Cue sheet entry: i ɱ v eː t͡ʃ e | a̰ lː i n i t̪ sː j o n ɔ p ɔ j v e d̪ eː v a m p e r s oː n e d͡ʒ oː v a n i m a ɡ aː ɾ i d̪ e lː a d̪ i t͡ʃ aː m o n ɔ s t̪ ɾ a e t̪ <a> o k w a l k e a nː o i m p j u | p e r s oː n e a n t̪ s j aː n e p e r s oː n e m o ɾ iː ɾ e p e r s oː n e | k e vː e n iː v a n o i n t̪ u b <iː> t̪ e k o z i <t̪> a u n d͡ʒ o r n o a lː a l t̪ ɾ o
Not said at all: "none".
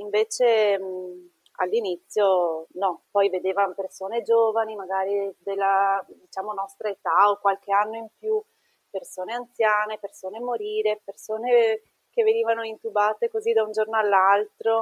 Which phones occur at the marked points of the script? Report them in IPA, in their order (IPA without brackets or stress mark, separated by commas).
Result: a, aː, d̪